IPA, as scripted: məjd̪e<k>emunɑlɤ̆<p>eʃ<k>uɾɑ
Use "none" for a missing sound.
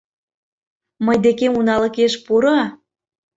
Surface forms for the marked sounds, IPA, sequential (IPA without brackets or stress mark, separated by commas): k, k, p